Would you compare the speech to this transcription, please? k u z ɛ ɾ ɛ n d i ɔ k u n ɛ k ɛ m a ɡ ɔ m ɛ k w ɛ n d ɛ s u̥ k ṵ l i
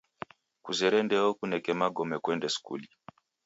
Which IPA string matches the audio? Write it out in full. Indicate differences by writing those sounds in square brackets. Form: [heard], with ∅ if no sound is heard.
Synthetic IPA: k u z ɛ ɾ ɛ n d [ɛ] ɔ k u n ɛ k ɛ m a ɡ ɔ m ɛ k w ɛ n d ɛ s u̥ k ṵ l i